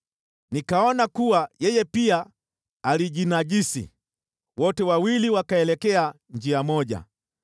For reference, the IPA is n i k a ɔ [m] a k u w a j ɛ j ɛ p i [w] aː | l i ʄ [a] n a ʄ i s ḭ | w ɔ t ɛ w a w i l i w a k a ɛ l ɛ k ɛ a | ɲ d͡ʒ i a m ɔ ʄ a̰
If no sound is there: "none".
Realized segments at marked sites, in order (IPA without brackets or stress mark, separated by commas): n, none, i